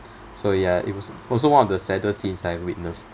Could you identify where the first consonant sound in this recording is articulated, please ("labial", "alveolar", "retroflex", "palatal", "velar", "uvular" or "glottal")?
alveolar